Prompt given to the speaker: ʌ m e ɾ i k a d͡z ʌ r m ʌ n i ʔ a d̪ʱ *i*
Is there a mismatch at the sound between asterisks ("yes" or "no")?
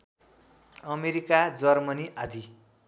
no